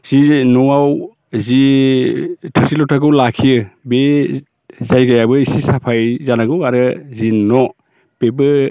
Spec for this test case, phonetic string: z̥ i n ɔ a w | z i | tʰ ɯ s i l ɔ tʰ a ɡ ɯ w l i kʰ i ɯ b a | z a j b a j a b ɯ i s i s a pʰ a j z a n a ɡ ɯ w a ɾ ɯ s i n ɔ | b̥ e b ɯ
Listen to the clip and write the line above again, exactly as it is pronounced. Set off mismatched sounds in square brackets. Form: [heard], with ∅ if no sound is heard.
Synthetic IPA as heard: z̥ i n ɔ a w | z i | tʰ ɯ s i l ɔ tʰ a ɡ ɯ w l [a] kʰ i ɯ b [e] | z a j [ɡ] a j a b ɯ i s i s a pʰ a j z a n a ɡ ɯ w a ɾ ɯ [z] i n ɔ | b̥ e b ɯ